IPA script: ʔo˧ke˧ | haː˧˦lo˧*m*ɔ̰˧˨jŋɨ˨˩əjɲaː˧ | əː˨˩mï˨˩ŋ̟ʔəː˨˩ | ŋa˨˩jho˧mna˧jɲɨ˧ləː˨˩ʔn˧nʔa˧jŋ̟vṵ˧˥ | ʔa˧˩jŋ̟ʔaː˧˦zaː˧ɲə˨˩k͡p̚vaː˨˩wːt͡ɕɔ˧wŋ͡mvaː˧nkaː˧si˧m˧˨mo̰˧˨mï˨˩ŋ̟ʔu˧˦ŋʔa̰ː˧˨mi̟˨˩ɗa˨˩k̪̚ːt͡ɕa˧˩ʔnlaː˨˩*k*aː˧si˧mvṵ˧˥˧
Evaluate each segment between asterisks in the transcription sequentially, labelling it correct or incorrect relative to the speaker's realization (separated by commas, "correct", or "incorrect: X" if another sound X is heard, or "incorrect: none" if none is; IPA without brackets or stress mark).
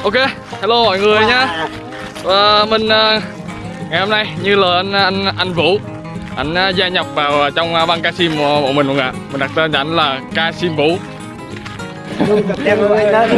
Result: correct, correct